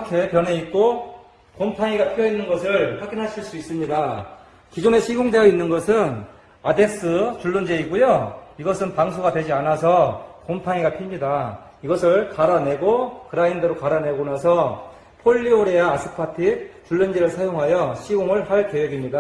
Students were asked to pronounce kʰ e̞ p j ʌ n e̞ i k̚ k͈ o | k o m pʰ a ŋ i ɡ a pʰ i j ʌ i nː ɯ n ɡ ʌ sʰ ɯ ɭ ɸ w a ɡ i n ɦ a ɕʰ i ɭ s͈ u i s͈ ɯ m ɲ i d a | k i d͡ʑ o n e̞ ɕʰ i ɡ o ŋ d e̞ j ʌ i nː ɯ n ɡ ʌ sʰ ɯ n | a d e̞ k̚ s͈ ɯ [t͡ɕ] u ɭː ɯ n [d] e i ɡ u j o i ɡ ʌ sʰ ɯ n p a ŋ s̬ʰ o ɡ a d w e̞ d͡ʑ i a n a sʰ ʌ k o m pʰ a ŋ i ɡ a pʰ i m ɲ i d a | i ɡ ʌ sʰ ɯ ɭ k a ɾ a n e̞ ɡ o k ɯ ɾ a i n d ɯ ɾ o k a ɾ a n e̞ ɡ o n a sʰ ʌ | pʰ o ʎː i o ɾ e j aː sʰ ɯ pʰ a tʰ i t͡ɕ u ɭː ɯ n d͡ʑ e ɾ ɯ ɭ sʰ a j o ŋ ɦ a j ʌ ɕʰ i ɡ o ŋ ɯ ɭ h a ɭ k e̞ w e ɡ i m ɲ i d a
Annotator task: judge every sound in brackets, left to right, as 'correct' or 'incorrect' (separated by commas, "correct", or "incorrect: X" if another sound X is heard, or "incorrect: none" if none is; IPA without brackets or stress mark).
correct, incorrect: d͡ʑ